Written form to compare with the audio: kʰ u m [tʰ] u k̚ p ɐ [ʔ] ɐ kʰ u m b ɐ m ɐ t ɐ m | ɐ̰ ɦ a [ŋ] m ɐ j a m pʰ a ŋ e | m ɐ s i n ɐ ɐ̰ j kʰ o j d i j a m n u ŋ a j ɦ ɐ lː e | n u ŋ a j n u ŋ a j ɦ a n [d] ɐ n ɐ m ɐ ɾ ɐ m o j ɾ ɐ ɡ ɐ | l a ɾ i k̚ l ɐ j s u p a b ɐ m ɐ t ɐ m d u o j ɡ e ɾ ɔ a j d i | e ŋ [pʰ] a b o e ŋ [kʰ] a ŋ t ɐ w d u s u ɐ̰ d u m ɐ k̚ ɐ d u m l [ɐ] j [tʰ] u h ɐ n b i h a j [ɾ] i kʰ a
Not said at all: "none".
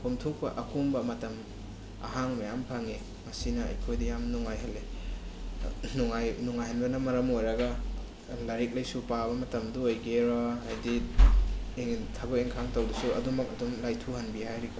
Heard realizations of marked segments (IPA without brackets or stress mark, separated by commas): tʰ, ʔ, ŋ, b, tʰ, kʰ, a, tʰ, ɾ